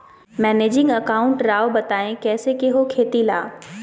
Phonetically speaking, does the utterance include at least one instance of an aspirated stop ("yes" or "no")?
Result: yes